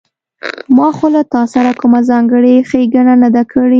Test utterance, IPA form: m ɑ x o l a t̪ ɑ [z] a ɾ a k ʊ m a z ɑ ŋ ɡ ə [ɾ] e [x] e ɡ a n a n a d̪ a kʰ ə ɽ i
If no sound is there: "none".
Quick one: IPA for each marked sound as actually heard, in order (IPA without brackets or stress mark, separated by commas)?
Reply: s, ɽ, x